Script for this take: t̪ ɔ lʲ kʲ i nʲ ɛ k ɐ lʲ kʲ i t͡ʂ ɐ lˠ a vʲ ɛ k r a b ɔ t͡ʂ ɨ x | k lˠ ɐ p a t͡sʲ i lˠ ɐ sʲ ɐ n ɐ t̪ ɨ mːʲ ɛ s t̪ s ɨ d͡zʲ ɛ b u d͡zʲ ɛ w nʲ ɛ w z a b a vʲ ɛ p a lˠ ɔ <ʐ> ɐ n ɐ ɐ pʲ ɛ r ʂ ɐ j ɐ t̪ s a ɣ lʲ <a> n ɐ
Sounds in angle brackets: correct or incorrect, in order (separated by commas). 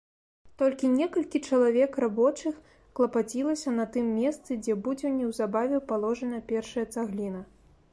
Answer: correct, incorrect